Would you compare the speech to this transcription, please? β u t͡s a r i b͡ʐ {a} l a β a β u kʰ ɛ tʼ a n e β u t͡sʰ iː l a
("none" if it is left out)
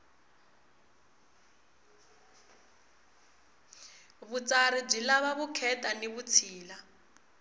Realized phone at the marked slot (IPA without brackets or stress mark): i